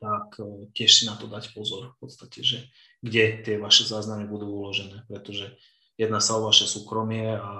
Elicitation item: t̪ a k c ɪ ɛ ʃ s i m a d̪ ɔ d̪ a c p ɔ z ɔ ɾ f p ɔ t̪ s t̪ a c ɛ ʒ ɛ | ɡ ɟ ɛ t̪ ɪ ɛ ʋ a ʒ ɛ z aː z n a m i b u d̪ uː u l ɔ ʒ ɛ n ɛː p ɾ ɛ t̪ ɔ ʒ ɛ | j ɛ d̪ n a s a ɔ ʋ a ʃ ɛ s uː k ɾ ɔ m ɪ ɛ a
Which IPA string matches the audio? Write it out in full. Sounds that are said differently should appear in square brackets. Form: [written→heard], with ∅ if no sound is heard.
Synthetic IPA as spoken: t̪ a k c ɪ ɛ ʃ s i [m→n] a [d̪→t̪] ɔ d̪ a c p ɔ z ɔ ɾ f p ɔ t̪ s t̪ a c ɛ ʒ ɛ | ɡ ɟ ɛ t̪ ɪ ɛ ʋ a [ʒ→ʃ] ɛ z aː z n a m i b u d̪ uː u l ɔ ʒ ɛ n ɛː p ɾ ɛ t̪ ɔ ʒ ɛ | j ɛ d̪ n a s a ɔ ʋ a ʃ ɛ s uː k ɾ ɔ m ɪ ɛ a